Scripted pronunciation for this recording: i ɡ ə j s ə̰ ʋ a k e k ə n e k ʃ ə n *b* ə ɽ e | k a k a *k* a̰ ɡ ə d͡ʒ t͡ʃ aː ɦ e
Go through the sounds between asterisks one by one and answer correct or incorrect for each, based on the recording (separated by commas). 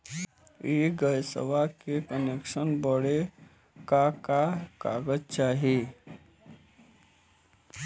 correct, correct